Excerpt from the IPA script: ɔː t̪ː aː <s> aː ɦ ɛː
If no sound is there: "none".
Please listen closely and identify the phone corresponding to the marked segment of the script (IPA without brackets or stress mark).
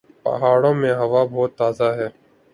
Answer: z